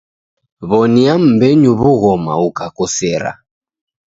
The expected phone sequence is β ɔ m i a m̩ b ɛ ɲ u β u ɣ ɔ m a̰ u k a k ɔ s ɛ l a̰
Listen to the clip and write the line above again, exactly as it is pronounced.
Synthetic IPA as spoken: β ɔ n i a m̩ b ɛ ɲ u β u ɣ ɔ m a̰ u k a k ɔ s ɛ ɾ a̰